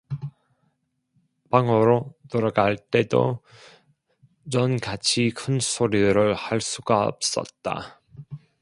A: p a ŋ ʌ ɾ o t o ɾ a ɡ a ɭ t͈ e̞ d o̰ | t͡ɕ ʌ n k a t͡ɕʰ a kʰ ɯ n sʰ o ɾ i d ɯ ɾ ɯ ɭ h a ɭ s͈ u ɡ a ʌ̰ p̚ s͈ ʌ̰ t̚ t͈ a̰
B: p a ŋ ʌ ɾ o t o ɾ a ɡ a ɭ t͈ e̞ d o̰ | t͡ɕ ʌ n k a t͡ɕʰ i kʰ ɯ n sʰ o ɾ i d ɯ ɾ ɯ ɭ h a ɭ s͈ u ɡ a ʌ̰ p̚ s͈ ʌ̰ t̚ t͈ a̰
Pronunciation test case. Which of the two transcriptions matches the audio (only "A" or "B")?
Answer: B